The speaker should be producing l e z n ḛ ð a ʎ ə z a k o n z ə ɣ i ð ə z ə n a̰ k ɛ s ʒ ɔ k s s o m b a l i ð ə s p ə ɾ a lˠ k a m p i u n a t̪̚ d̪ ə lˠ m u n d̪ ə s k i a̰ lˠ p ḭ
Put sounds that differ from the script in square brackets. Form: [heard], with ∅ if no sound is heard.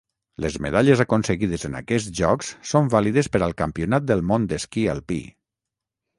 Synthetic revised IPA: l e z [m] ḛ ð a ʎ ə z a k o n [s] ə ɣ i ð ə z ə n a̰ k ɛ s ʒ ɔ k s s o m b a l i ð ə s p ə ɾ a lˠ k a m p i u n a t̪̚ d̪ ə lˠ m [o] n d̪ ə s k i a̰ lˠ p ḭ